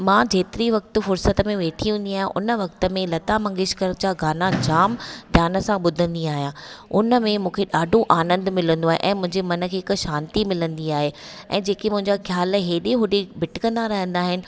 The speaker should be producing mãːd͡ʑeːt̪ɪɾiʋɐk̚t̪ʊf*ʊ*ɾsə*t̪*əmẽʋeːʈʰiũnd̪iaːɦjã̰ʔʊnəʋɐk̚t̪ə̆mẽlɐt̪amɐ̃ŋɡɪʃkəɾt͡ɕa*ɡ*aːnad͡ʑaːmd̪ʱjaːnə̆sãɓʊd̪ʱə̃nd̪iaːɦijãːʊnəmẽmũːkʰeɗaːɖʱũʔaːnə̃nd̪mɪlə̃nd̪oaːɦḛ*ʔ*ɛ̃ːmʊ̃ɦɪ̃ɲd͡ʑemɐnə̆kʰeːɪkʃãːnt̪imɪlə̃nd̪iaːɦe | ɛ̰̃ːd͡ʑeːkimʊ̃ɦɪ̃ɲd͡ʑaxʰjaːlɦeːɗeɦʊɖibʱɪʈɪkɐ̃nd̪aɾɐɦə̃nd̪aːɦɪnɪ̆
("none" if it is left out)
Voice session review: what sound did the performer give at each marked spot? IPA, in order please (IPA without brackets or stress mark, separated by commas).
ʊ, t̪, ɡ, ʔ